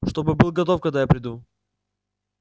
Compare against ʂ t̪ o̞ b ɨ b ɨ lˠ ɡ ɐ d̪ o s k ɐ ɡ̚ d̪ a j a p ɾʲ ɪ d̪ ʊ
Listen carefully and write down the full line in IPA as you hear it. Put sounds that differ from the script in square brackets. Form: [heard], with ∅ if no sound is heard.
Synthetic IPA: ʂ t̪ o̞ b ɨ b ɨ lˠ ɡ ɐ [t̪] o [f] k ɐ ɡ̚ d̪ a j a p ɾʲ ɪ d̪ [u]